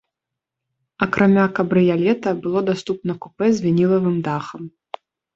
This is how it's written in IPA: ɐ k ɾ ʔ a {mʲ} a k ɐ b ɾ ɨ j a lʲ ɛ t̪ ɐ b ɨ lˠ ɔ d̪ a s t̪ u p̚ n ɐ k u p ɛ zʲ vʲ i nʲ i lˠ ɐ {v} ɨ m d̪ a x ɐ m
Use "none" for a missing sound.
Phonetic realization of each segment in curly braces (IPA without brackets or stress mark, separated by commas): mʲ, v